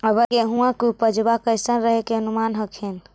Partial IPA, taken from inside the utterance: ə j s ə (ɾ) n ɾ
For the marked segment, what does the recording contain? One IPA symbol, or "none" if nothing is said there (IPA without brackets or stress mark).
none